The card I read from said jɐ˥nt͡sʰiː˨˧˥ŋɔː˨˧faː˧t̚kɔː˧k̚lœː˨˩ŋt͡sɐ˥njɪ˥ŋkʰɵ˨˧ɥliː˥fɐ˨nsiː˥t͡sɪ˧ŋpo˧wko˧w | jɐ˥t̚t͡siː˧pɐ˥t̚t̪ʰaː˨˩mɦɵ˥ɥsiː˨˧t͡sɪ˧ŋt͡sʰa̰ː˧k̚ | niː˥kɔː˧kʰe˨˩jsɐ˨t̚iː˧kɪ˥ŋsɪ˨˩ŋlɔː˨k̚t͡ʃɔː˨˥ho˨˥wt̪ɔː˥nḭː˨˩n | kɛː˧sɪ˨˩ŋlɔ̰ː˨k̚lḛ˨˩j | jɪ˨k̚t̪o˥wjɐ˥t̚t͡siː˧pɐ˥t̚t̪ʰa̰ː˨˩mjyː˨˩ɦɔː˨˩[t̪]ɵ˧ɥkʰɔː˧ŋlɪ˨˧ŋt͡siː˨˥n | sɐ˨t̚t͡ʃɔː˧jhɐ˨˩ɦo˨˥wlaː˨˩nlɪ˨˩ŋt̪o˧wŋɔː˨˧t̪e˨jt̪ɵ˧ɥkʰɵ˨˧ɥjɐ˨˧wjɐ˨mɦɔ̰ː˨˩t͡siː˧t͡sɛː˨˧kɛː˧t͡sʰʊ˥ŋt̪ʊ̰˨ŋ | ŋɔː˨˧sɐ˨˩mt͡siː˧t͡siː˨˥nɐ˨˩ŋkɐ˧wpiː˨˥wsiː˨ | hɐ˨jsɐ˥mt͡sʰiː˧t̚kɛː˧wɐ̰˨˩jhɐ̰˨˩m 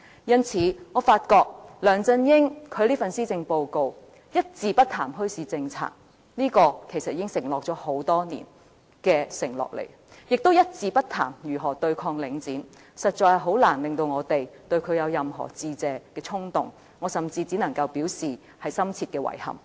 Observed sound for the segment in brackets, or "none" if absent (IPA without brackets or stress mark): t̪